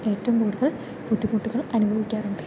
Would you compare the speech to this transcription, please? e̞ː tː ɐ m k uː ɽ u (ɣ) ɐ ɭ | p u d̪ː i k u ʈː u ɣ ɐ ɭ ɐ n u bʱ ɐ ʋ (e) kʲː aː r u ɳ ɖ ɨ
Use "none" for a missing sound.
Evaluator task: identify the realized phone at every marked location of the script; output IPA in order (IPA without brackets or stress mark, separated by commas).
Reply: ð, i